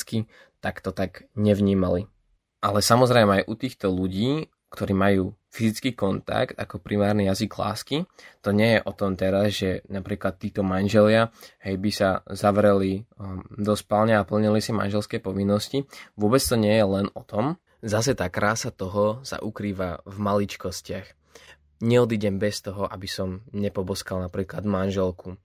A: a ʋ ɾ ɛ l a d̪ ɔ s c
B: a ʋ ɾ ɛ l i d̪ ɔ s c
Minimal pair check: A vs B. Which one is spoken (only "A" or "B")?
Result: B